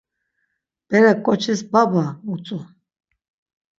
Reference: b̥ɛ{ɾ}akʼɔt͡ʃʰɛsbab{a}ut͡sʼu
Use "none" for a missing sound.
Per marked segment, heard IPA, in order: ɾ, a

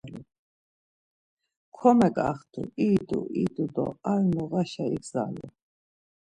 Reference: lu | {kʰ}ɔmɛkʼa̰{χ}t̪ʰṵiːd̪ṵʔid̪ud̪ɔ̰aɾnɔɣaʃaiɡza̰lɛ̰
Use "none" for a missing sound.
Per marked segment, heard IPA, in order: kʰ, χ

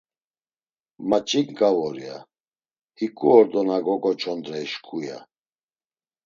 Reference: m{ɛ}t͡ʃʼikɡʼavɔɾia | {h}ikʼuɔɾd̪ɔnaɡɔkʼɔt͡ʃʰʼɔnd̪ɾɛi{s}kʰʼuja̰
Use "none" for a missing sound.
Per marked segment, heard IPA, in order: a, h, ʃ

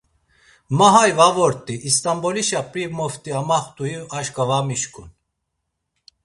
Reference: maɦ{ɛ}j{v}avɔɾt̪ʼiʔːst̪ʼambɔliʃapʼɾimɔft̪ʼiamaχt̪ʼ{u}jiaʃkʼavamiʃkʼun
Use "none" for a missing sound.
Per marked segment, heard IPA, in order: a, v, u

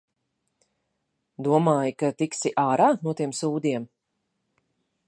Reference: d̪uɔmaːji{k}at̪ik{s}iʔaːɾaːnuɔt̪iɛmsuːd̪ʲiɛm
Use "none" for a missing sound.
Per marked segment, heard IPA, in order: k, s

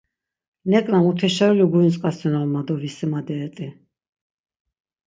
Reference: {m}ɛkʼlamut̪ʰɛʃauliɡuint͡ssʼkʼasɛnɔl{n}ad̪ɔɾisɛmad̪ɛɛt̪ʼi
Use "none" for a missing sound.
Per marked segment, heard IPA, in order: n, m

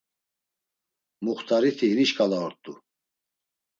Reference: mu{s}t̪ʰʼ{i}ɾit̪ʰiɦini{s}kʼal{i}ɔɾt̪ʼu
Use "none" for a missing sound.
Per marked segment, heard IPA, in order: χ, a, ʃ, a

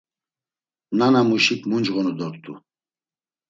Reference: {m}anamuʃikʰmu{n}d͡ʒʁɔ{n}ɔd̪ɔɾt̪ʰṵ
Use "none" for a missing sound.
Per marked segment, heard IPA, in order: n, n, n

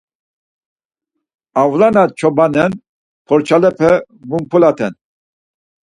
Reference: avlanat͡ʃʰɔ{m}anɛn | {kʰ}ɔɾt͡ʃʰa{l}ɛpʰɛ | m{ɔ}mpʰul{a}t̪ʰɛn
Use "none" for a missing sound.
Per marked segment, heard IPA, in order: b, pʰ, l, u, a

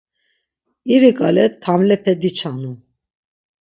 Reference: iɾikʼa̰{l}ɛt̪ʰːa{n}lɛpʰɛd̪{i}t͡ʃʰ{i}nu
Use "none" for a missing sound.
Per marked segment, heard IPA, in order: l, m, i, a

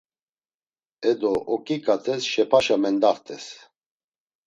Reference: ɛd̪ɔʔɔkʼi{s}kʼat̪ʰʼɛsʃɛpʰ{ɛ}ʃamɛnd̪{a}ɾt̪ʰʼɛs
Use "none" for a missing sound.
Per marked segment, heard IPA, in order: none, a, a

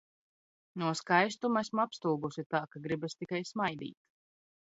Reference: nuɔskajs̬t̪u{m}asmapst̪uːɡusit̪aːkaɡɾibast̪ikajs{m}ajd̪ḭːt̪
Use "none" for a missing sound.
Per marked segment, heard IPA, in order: m, m

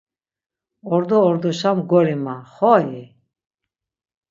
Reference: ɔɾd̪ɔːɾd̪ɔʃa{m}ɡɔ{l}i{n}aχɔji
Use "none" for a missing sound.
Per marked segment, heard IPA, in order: m, ɾ, m

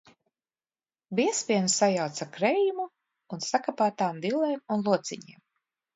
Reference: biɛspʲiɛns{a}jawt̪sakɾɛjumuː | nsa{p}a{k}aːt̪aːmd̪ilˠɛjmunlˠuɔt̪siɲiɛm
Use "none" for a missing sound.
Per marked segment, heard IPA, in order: a, k, p

